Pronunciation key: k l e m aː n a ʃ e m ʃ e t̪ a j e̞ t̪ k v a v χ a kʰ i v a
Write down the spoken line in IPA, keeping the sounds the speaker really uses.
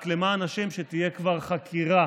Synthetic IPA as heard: k l e m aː n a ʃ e m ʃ e t̪ i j e̞ k v a ʁ χ a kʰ i ʁ a